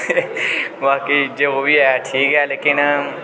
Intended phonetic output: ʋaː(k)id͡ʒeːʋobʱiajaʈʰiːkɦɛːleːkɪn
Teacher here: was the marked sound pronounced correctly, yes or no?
yes